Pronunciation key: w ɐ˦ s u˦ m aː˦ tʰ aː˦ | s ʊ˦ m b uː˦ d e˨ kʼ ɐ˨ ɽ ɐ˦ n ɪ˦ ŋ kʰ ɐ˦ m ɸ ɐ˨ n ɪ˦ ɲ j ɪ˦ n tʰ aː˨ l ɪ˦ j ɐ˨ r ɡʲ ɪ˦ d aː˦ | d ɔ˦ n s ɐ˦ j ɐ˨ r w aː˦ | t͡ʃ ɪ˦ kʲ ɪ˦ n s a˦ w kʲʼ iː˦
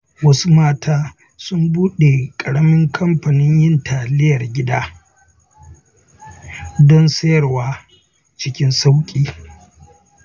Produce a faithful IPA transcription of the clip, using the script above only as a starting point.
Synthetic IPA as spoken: w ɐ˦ s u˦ m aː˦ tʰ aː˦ | s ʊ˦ m b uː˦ ɗ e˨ kʼ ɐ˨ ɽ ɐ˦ m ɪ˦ ŋ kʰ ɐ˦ m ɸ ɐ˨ n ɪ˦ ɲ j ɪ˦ n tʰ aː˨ l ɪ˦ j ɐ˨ r ɡʲ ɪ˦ d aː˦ | d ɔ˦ n s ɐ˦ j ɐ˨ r w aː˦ | t͡ʃ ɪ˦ kʲ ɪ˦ n s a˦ w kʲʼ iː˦